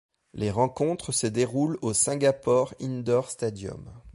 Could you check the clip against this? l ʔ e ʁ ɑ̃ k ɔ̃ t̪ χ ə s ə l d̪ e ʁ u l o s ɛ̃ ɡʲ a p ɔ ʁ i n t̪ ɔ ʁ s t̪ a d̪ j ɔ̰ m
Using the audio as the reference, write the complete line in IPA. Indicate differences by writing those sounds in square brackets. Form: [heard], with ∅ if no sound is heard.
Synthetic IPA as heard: l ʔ e ʁ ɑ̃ k ɔ̃ t̪ χ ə s ə [∅] d̪ e ʁ u l o s ɛ̃ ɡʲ a p ɔ ʁ i n [d̪] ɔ ʁ s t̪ a d̪ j ɔ̰ m

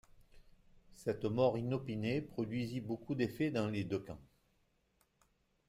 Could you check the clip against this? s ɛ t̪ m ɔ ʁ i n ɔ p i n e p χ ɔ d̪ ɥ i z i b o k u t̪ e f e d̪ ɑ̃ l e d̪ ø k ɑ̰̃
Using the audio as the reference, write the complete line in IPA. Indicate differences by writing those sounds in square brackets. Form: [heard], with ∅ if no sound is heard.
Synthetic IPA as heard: s ɛ t̪ m ɔ ʁ i n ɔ p i n e p χ ɔ d̪ ɥ i z i b o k u [d̪] e f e d̪ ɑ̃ l e d̪ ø k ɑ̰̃

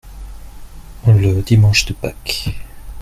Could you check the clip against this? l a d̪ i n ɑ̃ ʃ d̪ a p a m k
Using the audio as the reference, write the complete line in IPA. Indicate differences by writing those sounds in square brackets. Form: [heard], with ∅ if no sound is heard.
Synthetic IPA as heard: l [ə] d̪ i [m] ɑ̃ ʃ d̪ [ə] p a [∅] k

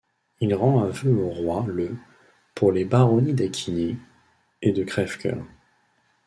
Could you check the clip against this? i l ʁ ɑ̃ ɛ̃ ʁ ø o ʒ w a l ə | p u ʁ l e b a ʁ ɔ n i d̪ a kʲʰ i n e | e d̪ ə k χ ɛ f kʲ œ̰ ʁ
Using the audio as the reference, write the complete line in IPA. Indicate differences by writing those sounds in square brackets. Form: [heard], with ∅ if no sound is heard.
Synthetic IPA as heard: i l ʁ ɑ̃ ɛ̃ [v] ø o [ʁ] w a l ə | p u ʁ l e b a ʁ ɔ n i d̪ a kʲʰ i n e | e d̪ ə k χ ɛ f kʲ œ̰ ʁ

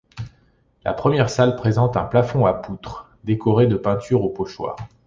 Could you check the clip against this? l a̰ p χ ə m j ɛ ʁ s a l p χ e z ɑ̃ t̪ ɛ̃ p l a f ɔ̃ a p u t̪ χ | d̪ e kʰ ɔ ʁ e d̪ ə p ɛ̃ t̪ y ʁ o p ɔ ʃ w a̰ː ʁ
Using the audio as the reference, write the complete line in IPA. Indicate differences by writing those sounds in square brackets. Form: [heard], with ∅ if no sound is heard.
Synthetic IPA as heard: l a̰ p χ ə m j ɛ ʁ s a l p χ e z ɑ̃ t̪ ɛ̃ p l a f ɔ̃ a p u t̪ χ | d̪ e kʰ ɔ ʁ e d̪ ə p ɛ̃ t̪ y ʁ o p ɔ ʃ w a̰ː ʁ

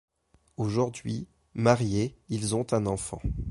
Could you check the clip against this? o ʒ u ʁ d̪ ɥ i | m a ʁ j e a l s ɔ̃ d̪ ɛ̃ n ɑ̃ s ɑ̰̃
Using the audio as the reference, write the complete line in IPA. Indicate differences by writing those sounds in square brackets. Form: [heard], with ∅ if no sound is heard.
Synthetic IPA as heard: o ʒ u ʁ d̪ ɥ i | m a ʁ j e [i] l [z] ɔ̃ [t̪] ɛ̃ n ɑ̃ [f] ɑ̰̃

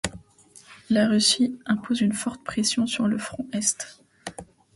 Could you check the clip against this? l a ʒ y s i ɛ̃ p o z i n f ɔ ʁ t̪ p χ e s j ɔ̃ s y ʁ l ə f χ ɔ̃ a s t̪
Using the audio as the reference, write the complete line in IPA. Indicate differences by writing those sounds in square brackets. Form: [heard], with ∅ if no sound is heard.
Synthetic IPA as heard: l a [ʁ] y s i ɛ̃ p o z [y] n f ɔ ʁ t̪ p χ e s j ɔ̃ s y ʁ l ə f χ ɔ̃ [ɛ] s t̪

